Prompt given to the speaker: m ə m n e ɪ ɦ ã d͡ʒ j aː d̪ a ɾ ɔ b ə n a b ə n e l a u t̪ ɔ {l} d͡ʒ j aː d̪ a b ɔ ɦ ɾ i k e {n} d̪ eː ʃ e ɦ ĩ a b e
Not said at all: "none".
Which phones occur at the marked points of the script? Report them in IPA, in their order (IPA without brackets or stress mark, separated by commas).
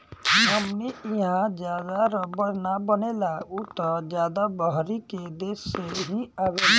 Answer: none, none